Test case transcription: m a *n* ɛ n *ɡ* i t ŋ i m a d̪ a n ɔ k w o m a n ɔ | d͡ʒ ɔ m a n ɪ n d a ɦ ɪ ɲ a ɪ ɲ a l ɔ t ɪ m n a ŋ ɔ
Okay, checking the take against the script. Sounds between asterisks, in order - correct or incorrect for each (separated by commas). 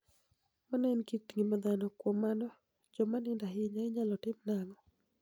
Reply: correct, incorrect